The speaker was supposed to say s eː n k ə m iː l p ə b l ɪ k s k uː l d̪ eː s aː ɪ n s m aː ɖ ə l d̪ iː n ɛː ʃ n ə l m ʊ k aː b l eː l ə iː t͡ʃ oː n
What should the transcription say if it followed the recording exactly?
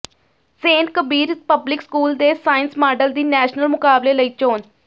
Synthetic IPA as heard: s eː n k ə b iː ɾ p ə b l ɪ k s k uː l d̪ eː s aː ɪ n s m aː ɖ ə l d̪ iː n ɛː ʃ n ə l m ʊ k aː b l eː l ə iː t͡ʃ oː n